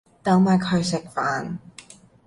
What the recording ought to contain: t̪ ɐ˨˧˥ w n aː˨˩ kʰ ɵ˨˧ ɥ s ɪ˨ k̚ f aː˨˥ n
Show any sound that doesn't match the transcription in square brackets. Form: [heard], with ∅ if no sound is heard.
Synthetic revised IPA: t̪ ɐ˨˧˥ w [m] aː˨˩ kʰ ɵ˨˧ ɥ s ɪ˨ k̚ f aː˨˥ n